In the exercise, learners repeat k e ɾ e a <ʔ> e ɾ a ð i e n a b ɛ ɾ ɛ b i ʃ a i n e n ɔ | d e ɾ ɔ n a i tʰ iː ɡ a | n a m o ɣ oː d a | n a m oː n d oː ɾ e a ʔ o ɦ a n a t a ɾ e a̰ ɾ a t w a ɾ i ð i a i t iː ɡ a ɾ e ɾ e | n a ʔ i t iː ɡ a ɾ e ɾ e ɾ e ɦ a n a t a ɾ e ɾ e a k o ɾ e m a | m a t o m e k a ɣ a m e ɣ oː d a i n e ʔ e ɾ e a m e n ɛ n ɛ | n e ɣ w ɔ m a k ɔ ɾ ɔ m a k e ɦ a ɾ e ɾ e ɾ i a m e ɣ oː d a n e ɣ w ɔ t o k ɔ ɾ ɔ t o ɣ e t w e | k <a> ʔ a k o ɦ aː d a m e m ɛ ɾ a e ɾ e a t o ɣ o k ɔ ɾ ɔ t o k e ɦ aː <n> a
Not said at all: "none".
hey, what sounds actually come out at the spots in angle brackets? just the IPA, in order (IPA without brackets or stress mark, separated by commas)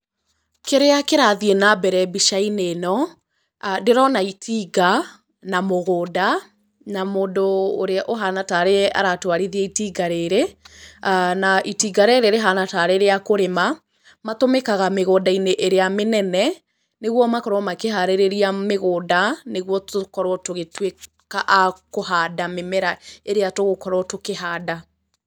k, a, d